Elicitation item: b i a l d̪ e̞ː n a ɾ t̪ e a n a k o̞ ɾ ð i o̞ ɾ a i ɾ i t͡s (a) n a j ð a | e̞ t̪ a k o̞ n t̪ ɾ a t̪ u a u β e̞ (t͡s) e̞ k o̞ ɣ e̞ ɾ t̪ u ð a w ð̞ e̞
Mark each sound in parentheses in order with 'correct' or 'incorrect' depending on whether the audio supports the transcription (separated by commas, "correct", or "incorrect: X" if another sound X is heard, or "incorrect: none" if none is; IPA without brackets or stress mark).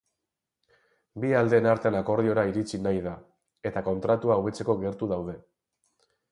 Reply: incorrect: i, correct